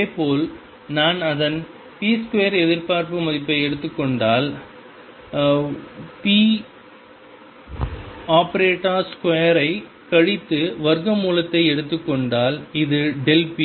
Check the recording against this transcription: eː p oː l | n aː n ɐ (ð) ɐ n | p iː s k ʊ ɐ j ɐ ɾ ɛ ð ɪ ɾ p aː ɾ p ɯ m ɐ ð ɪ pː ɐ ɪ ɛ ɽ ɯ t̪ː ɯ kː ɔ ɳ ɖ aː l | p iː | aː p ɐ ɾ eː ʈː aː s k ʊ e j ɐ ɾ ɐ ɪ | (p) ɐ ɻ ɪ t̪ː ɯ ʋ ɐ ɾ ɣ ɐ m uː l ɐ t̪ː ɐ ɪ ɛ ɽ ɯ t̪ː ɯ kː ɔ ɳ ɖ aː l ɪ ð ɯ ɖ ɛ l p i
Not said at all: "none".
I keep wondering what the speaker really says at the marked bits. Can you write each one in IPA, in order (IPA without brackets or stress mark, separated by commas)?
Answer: ð, k